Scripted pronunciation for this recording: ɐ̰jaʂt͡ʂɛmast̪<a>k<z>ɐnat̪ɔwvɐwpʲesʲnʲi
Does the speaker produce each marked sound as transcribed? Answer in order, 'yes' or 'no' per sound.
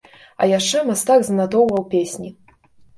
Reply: yes, yes

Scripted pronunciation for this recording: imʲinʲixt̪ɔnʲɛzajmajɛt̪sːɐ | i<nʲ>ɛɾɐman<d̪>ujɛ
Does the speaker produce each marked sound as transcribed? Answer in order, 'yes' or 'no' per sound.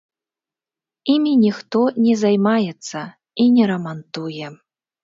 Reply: yes, no

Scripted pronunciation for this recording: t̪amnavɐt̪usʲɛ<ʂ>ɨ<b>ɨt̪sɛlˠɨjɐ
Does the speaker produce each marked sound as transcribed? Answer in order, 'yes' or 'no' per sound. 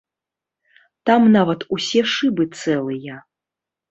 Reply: yes, yes

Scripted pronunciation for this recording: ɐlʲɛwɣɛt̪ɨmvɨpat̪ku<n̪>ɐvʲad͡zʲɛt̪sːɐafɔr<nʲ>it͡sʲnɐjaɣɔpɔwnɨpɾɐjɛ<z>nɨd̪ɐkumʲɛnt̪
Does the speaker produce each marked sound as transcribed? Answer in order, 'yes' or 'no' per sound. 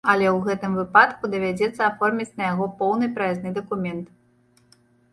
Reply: no, no, yes

